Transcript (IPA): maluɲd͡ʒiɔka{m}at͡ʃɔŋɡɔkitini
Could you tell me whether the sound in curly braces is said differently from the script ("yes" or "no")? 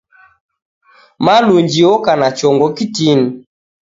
yes